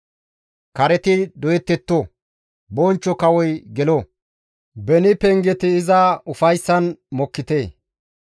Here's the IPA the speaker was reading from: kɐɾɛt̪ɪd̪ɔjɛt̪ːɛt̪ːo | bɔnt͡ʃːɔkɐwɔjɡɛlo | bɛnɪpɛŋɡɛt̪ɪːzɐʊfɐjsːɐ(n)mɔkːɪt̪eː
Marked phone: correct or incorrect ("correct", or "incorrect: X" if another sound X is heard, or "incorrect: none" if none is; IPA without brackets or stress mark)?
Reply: correct